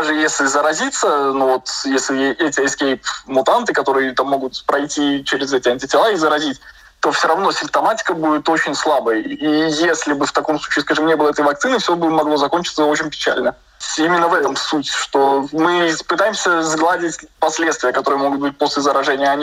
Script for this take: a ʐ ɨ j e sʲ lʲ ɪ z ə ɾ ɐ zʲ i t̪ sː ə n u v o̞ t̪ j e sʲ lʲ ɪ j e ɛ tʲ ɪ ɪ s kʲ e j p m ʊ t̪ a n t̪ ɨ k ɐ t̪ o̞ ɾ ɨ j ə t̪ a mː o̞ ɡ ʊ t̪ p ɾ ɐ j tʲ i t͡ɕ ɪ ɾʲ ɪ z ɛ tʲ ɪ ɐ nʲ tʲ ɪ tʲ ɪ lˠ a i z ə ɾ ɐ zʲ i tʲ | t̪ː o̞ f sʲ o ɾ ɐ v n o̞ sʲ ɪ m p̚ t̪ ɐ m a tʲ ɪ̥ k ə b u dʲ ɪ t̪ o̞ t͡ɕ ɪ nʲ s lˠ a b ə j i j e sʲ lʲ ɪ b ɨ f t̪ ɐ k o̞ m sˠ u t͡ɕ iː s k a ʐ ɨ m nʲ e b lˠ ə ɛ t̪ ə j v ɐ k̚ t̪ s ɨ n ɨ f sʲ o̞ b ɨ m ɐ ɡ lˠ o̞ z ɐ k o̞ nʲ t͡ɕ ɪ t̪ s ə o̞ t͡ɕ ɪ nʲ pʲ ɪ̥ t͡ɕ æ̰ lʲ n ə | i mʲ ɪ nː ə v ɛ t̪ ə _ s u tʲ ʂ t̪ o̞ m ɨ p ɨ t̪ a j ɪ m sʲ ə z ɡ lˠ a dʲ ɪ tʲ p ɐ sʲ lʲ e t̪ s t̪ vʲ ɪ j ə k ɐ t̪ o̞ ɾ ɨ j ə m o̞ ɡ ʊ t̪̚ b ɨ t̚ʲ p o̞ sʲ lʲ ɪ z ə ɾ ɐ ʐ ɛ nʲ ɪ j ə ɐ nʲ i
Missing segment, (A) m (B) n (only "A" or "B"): A